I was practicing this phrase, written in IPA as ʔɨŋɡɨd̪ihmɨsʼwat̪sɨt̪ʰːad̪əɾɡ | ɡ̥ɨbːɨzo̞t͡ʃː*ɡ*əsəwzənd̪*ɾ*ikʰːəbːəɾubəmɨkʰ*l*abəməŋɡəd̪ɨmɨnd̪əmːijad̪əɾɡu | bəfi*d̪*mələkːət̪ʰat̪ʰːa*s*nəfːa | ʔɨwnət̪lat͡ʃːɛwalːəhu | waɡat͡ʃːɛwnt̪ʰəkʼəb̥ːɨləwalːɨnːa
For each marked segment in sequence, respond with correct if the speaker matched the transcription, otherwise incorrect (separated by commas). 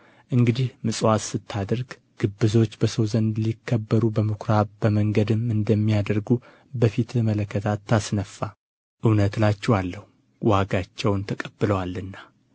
incorrect, incorrect, incorrect, incorrect, correct